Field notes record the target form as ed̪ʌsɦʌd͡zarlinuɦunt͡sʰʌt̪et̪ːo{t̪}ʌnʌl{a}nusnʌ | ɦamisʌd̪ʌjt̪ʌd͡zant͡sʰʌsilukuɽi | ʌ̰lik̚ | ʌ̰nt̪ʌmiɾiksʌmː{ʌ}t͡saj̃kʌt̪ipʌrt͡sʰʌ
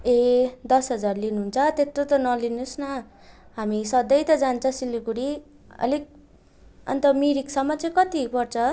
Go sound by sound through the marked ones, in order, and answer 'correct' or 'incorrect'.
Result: correct, incorrect: i, correct

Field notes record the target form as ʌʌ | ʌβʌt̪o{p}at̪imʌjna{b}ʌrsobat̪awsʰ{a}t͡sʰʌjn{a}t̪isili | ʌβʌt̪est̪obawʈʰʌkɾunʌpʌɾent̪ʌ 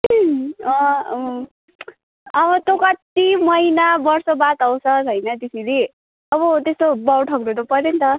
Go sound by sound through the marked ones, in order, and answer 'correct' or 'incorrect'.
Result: incorrect: k, correct, incorrect: ʌ, incorrect: ʌ

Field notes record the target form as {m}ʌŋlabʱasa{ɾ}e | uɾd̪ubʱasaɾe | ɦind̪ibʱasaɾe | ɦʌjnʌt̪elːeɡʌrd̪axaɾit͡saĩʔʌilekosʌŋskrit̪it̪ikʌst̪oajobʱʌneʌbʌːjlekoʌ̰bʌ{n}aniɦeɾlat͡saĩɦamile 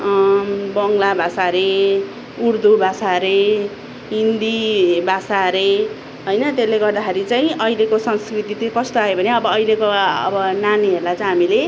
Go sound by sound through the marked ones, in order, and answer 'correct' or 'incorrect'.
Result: incorrect: b, correct, correct

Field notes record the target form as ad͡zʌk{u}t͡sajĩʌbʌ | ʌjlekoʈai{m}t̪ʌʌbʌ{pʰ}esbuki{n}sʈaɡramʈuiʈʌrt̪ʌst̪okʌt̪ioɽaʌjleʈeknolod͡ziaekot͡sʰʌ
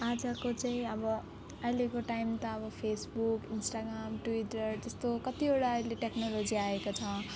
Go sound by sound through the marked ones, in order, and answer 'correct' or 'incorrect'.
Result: incorrect: o, correct, correct, correct

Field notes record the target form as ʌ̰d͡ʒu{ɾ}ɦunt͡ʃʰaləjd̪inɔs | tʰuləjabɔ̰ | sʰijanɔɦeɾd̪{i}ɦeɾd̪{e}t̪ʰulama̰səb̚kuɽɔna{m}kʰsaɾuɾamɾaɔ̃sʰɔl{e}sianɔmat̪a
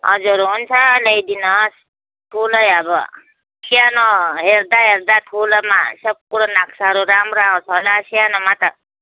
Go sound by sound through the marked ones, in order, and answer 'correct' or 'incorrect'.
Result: correct, incorrect: a, incorrect: a, incorrect: none, incorrect: a

